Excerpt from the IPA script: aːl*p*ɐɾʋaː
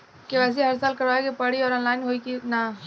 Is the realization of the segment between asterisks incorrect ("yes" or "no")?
yes